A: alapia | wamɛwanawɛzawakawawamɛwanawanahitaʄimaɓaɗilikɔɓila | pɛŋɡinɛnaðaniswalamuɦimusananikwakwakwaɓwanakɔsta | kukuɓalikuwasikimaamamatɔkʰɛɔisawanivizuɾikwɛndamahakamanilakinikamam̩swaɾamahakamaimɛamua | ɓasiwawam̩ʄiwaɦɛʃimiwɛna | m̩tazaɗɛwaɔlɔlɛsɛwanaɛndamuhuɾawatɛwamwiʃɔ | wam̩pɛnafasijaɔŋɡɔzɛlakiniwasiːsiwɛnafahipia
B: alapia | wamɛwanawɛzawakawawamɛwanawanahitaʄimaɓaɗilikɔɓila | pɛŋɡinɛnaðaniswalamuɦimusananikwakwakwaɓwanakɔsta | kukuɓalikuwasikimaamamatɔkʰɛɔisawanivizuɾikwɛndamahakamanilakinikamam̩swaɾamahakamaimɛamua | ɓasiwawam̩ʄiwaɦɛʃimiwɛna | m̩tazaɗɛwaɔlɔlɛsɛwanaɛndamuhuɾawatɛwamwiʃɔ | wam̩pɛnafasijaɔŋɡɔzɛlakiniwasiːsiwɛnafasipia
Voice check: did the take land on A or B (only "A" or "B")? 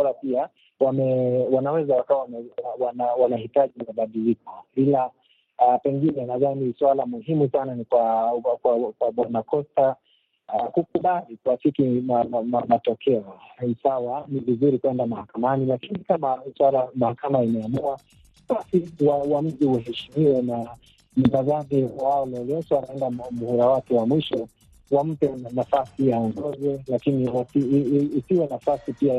B